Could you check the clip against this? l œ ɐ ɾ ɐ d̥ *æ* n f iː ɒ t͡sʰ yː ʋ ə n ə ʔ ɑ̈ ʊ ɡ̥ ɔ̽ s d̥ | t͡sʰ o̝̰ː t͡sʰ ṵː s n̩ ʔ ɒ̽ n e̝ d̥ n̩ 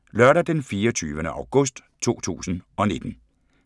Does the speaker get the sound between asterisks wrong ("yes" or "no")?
yes